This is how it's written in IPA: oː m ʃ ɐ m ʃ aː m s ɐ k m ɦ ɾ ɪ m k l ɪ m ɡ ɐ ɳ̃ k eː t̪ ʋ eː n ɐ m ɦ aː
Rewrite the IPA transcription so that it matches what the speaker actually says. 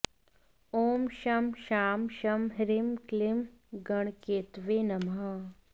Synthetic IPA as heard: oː m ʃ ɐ m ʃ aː m ʃ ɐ m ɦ ɾ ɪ m k l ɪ m ɡ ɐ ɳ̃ k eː t̪ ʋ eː n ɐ m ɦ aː